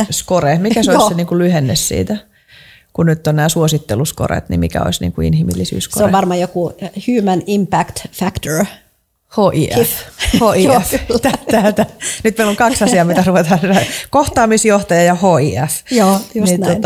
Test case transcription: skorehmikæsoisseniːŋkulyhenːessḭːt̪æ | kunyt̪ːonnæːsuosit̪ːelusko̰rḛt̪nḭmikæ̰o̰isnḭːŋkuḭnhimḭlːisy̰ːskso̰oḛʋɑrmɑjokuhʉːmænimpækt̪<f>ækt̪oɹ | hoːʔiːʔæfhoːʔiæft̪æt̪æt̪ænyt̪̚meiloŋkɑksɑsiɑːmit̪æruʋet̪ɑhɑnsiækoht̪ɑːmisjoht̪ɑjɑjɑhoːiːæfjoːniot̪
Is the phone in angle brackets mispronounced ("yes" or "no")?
no